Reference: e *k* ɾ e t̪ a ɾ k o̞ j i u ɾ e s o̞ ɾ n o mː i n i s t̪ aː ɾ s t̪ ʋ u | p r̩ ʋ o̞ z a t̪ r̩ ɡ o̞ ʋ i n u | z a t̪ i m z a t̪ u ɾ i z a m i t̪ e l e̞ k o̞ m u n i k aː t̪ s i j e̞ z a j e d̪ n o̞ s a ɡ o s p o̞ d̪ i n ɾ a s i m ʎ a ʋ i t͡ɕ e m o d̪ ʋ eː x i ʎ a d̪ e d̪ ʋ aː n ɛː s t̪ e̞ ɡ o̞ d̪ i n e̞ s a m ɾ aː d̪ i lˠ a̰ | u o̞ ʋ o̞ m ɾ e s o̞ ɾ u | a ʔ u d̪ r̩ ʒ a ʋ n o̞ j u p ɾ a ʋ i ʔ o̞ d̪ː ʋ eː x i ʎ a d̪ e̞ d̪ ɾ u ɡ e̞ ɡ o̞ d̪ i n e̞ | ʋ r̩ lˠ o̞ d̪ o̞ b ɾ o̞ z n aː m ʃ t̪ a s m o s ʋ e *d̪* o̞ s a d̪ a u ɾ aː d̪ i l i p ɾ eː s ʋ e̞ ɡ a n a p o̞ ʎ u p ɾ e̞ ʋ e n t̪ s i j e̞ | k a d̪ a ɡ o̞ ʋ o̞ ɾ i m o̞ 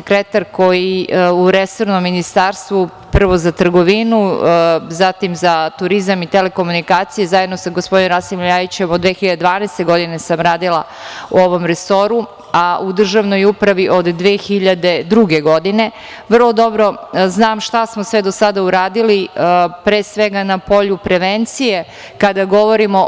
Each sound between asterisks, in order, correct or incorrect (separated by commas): correct, correct